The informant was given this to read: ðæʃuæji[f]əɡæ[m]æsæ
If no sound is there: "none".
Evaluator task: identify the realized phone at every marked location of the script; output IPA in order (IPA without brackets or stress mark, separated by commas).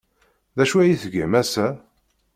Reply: θ, m